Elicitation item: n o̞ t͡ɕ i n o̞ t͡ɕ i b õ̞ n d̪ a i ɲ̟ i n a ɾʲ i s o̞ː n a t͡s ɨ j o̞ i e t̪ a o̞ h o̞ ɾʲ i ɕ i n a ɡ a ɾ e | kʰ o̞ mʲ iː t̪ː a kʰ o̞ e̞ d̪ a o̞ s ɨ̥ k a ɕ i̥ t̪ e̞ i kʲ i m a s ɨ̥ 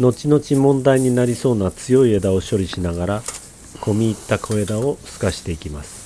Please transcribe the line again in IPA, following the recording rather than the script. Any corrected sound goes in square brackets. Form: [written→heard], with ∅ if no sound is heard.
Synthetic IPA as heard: n o̞ t͡ɕ i n o̞ t͡ɕ i [b→m] õ̞ n d̪ a i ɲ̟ i n a ɾʲ i s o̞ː n a t͡s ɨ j o̞ i e [t̪→d̪] a o̞ [h→ɕ] o̞ ɾʲ i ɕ i n a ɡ a ɾ [e→a] | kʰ o̞ mʲ iː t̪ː a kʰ o̞ e̞ d̪ a o̞ s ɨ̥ k a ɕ i̥ t̪ e̞ i kʲ i m a s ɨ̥